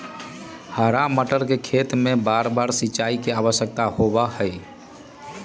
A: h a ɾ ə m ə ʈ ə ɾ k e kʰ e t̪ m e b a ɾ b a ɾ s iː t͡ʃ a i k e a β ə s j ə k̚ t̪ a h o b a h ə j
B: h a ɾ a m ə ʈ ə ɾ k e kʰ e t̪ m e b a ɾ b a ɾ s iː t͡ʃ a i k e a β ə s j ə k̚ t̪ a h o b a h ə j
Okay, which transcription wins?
B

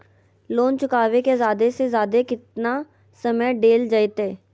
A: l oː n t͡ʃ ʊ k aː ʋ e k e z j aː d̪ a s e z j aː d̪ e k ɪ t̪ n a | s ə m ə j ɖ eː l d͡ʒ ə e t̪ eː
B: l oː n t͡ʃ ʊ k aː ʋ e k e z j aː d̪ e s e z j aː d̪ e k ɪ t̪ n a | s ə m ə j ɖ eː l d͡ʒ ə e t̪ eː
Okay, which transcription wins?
B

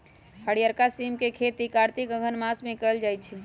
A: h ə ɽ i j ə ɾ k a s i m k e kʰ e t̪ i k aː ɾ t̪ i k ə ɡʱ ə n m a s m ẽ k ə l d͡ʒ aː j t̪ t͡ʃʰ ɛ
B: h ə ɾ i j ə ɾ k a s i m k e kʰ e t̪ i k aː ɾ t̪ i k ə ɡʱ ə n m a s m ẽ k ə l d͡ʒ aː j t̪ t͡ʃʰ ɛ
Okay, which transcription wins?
A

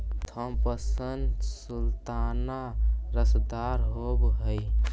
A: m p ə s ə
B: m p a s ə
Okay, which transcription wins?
A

